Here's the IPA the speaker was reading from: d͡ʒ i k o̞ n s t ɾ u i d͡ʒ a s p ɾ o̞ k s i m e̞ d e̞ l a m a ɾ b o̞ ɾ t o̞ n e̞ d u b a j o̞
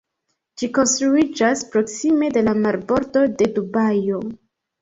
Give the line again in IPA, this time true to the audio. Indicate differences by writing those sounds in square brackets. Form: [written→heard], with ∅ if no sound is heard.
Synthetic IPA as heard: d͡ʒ i k o̞ n s t ɾ u i d͡ʒ a s p ɾ o̞ k s i m e̞ d e̞ l a m a ɾ b o̞ ɾ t o̞ [n→d] e̞ d u b a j o̞